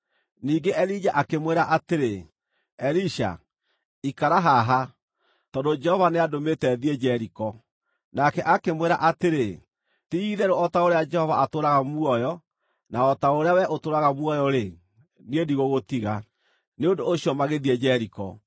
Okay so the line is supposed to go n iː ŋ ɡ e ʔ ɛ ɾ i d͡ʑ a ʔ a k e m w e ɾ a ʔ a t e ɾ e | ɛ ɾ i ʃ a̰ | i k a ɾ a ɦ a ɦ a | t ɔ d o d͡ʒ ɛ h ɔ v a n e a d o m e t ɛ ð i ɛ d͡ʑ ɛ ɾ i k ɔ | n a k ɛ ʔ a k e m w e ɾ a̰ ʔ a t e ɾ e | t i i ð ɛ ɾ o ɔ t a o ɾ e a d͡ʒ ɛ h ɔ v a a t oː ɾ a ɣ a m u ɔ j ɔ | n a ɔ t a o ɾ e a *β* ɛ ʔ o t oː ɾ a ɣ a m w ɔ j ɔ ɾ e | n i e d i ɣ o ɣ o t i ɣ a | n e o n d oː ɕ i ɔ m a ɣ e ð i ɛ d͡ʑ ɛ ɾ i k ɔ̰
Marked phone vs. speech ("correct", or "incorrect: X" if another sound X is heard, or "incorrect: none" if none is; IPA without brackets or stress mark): incorrect: w